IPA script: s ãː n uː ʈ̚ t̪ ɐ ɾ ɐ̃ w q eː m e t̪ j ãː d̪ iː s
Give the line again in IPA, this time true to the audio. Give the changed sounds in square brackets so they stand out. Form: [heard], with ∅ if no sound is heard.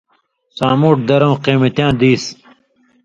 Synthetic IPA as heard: s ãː [m] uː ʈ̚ [d̪] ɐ ɾ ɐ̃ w q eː m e t̪ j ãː d̪ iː s